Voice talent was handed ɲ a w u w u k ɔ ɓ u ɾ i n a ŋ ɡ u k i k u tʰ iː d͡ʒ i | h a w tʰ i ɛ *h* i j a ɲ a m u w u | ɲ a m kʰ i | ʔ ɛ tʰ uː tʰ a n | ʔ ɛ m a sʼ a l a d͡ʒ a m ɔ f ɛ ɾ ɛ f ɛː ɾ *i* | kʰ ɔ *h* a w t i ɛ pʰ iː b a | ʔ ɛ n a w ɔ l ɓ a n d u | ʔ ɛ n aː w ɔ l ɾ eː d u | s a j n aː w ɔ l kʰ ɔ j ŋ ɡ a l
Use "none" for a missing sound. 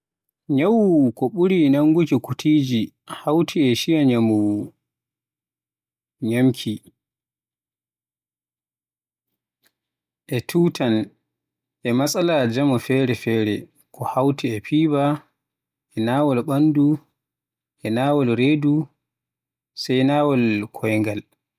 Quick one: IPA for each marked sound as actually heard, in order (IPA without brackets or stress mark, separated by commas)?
ʃ, ɛ, h